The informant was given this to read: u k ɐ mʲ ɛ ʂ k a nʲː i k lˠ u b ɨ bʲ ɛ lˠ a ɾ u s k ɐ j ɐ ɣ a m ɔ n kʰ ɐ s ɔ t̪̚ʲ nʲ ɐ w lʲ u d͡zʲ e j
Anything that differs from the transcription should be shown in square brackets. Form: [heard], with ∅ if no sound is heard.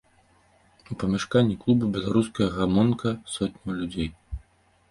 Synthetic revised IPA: u [p] ɐ mʲ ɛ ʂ k a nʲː i k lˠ u b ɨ bʲ ɛ lˠ a ɾ u s k ɐ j ɐ ɣ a m ɔ n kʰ ɐ s ɔ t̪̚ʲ nʲ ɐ w lʲ u d͡zʲ e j